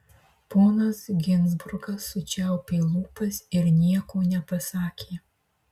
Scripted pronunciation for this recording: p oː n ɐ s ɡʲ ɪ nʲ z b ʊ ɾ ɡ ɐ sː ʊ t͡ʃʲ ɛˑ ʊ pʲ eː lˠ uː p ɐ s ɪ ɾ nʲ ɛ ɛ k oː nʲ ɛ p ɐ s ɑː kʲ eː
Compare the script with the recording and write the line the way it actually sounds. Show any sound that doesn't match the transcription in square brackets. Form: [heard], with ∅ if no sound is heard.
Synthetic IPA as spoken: p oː n ɐ s ɡʲ ɪ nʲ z b ʊ ɾ ɡ ɐ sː ʊ t͡ʃʲ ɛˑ ʊ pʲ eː lˠ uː p ɐ s ɪ ɾ nʲ [i] ɛ k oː nʲ ɛ p ɐ s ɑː kʲ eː